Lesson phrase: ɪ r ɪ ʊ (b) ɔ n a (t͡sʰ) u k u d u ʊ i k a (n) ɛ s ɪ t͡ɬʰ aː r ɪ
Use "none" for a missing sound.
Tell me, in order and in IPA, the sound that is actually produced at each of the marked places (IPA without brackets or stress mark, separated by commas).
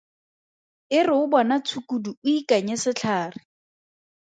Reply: b, t͡sʰ, ɲ